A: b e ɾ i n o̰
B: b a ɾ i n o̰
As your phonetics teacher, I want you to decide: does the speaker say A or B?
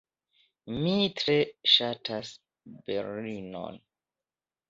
A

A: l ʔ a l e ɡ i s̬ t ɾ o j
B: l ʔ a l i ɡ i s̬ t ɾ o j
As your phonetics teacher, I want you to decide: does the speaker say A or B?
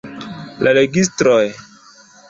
A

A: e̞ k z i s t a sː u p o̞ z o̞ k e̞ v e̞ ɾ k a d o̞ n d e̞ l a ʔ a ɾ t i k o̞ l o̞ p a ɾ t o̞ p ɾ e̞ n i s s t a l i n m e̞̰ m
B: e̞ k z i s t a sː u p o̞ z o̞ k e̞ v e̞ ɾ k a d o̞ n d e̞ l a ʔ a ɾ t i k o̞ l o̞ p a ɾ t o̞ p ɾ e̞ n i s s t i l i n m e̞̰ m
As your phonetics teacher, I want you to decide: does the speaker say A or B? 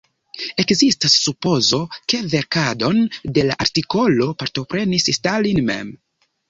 A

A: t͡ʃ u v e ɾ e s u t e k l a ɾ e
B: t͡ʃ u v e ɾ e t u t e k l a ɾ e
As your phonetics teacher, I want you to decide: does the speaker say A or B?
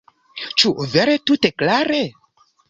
B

